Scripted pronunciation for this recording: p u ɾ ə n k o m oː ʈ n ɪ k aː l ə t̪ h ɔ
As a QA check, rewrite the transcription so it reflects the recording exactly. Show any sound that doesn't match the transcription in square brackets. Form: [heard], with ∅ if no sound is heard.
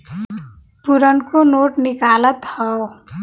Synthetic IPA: p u ɾ ə n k o [n] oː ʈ n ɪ k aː l ə t̪ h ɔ